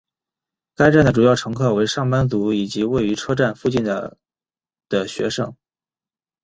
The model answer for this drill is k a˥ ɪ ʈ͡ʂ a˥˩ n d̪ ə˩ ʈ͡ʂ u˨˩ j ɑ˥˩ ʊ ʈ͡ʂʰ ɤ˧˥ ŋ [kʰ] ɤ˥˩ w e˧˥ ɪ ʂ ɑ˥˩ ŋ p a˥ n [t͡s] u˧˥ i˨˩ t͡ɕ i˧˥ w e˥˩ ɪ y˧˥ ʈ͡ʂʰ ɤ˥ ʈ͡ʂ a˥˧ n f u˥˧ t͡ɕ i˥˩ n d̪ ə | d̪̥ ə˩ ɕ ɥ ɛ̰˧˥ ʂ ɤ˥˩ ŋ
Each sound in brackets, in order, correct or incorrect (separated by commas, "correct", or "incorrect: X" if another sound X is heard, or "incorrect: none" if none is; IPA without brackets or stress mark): correct, correct